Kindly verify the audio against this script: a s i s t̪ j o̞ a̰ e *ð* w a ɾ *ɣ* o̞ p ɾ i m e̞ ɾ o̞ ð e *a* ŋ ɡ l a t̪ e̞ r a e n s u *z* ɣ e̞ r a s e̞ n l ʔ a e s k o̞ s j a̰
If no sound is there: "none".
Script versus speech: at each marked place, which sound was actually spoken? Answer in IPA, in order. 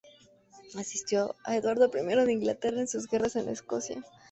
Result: ð, ð, i, z

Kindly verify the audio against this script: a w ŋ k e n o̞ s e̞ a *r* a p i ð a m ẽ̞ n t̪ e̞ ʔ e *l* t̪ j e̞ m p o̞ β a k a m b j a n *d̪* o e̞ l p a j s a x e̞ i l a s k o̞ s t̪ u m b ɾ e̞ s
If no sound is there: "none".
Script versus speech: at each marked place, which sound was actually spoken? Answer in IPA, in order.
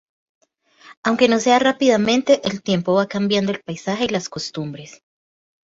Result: r, l, d̪

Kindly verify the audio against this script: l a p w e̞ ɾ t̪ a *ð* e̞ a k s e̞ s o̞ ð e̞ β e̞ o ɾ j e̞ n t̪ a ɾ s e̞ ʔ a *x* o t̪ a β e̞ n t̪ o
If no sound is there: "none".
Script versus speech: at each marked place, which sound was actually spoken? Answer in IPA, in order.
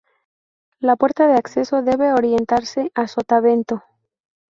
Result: ð, s

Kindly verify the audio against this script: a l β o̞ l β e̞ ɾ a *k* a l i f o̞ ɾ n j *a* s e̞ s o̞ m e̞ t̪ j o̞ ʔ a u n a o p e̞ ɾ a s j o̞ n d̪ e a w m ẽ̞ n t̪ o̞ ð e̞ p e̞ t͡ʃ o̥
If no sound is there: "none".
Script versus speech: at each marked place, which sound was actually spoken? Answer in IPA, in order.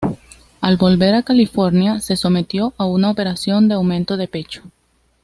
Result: k, a

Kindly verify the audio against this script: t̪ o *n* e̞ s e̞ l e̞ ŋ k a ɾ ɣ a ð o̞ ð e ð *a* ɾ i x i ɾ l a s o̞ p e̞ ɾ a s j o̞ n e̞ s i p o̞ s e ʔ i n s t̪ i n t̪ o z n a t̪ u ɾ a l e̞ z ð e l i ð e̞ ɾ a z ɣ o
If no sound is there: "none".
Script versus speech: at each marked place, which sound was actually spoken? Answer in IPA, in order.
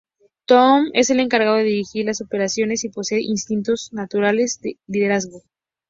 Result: m, i

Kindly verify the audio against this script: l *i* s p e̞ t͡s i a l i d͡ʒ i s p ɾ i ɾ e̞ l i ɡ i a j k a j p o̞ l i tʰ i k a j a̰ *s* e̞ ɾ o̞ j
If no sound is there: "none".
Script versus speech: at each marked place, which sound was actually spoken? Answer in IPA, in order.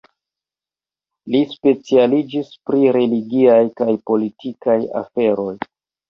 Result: i, f

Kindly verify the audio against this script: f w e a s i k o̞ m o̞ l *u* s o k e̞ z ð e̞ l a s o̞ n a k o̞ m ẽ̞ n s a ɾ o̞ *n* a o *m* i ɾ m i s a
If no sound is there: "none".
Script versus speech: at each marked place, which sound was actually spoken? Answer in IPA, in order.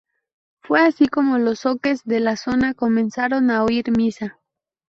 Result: o, n, none

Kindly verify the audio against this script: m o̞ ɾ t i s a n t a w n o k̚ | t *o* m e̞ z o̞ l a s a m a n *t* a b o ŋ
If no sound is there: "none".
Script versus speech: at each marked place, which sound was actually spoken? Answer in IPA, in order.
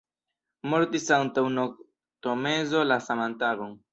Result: o, t

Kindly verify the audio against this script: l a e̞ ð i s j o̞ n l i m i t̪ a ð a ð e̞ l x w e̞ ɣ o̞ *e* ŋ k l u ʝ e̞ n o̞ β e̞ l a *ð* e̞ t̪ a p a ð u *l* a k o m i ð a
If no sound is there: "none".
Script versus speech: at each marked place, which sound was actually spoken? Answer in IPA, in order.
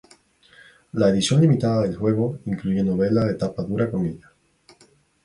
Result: i, ð, ɾ

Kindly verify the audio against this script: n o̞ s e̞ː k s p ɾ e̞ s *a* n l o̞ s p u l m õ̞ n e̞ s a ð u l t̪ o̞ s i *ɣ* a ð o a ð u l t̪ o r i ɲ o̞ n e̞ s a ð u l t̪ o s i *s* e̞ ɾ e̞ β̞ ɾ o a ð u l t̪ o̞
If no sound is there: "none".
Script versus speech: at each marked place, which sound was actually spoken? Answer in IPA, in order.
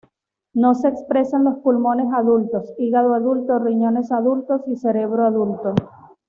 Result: a, ɣ, s

